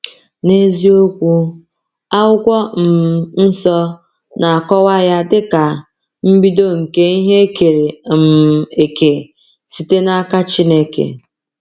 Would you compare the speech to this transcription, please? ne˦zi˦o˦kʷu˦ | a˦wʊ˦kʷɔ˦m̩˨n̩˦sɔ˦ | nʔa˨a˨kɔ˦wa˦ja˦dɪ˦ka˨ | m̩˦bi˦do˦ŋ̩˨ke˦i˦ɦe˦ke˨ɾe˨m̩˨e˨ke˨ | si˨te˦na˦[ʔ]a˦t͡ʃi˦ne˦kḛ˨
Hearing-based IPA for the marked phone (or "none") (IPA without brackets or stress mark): k